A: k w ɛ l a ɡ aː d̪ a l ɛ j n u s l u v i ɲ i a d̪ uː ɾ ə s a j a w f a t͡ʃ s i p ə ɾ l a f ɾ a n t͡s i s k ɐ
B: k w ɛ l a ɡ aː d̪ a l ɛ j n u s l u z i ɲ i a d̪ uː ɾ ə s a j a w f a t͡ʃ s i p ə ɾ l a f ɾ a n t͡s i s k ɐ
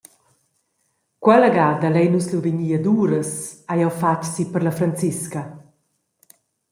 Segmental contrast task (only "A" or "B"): A